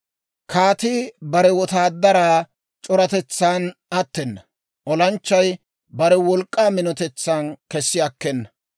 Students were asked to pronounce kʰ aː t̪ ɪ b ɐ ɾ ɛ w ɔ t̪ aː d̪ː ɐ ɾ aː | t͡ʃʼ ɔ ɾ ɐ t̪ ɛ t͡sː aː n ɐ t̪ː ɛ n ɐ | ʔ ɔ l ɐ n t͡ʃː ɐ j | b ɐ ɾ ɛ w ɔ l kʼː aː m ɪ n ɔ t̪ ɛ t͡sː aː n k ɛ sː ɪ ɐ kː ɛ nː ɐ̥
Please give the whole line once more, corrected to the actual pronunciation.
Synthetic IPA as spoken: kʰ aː t̪ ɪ b ɐ ɾ ɛ w ɔ t̪ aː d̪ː ɐ ɾ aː | t͡ʃʼ ɔ ɾ ɐ t̪ ɛ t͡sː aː n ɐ t̪ː ɛ nː ɐ | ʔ ɔ l ɐ n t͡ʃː ɐ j | b ɐ ɾ ɛ w ɔ l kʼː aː m ɪ n ɔ t̪ ɛ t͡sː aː n k ɛ sː ɪ ɐ kː ɛ nː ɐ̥